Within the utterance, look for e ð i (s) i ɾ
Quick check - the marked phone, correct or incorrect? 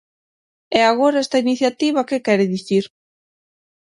incorrect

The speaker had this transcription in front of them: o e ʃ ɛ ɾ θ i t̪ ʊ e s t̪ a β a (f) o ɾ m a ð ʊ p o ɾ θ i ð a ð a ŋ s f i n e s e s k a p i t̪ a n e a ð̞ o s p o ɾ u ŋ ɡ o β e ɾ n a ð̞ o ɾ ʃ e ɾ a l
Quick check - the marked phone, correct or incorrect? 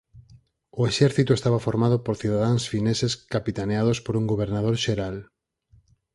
correct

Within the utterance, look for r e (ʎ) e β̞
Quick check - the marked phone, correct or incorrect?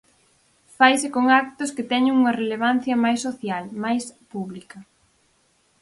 incorrect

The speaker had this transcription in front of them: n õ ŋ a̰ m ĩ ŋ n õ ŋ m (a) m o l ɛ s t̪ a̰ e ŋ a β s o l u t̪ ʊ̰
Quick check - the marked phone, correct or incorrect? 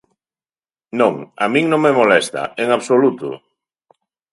incorrect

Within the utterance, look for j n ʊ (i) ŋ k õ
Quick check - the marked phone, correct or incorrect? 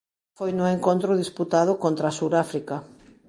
incorrect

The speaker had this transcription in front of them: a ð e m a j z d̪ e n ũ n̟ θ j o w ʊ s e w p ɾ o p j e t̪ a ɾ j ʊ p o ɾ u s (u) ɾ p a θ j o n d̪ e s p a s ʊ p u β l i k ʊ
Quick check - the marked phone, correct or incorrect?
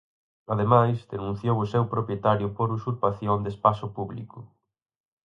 correct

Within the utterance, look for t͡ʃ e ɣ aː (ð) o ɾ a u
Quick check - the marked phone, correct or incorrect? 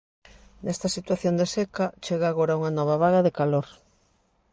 incorrect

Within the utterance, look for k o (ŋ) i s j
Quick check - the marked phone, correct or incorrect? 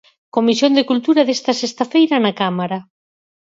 incorrect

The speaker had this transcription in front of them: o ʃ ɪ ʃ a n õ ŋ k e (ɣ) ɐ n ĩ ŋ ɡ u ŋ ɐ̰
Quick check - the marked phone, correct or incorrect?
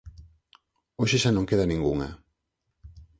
incorrect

